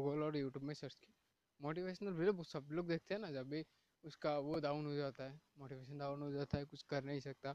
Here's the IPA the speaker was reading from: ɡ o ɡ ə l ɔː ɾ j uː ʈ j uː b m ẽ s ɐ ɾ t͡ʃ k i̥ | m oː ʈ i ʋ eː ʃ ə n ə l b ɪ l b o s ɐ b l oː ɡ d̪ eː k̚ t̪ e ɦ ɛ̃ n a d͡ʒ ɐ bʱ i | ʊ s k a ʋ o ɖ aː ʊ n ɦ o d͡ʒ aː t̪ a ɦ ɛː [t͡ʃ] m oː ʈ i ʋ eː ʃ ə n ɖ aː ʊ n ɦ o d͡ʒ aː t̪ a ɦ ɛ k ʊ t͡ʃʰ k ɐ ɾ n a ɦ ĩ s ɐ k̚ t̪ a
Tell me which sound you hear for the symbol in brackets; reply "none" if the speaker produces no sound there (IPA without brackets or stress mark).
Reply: none